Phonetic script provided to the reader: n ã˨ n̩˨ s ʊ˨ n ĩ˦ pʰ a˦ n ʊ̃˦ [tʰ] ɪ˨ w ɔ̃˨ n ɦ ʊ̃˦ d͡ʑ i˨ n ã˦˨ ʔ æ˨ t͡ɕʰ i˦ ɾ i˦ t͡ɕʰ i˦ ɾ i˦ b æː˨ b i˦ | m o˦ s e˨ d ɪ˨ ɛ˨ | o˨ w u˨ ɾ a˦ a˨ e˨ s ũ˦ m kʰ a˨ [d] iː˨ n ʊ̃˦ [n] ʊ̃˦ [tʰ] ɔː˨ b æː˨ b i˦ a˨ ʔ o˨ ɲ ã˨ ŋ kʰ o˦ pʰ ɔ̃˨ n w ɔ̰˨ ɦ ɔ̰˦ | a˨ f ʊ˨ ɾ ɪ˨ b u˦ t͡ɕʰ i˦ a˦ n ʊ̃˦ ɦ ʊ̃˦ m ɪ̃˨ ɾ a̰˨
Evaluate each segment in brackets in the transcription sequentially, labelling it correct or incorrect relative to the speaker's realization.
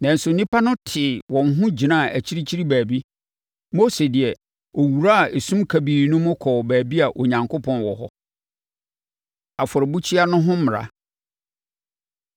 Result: correct, incorrect: b, incorrect: m, incorrect: kʰ

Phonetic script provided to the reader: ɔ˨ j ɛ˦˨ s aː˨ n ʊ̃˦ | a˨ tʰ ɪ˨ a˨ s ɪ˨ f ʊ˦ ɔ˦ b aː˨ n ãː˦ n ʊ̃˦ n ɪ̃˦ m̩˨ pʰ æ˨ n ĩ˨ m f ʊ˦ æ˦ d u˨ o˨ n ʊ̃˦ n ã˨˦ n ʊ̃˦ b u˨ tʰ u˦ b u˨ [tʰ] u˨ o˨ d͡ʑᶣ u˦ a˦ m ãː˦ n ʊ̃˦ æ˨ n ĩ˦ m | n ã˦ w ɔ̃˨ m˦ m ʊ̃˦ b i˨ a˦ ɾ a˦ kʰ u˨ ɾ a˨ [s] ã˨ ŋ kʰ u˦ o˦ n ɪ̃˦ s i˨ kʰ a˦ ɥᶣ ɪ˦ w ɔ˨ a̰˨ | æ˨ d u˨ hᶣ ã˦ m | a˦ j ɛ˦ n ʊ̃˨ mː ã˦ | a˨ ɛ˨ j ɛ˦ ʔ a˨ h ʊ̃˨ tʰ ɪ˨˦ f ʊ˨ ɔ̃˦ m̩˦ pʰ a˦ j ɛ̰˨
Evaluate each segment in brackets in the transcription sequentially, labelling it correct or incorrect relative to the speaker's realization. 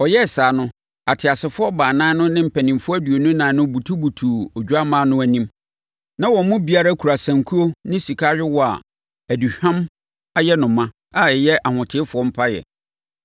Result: correct, correct

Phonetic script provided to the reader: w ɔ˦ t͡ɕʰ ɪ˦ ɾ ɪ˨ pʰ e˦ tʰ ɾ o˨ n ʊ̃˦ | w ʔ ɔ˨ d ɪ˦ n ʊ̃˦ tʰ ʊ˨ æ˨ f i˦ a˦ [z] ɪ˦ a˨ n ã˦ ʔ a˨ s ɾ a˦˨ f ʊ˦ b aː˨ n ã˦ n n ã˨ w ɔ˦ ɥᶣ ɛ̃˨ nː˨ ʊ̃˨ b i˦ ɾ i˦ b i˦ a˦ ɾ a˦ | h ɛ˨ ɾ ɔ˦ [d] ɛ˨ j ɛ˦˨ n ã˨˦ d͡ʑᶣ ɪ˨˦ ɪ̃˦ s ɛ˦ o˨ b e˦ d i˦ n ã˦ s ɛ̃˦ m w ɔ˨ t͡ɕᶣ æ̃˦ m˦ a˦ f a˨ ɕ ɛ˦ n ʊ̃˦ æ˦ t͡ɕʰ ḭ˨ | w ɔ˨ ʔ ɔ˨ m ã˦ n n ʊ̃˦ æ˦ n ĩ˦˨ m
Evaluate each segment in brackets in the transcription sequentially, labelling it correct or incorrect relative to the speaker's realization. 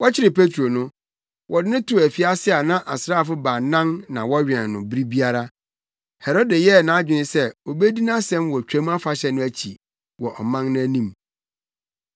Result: incorrect: s, correct

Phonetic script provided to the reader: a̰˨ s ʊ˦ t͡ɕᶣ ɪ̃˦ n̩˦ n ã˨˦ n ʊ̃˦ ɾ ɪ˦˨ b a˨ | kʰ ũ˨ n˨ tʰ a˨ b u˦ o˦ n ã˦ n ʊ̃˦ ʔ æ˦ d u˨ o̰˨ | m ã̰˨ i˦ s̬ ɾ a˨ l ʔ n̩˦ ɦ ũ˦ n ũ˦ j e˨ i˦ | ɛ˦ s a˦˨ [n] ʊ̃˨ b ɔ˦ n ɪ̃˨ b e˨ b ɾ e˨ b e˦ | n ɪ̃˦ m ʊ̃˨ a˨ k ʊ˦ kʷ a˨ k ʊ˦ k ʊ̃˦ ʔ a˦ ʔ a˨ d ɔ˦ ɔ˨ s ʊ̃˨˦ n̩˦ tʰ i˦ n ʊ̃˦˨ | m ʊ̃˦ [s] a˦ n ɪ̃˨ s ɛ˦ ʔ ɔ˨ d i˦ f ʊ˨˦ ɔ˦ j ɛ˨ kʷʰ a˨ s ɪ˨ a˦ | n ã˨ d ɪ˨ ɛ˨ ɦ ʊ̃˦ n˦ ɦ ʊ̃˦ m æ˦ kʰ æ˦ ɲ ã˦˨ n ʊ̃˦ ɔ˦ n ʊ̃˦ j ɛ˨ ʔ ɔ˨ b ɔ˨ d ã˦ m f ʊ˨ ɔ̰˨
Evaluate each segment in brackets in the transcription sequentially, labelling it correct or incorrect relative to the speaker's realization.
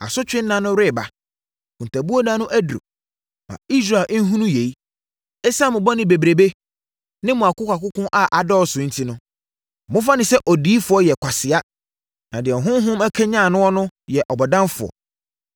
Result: incorrect: m, incorrect: f

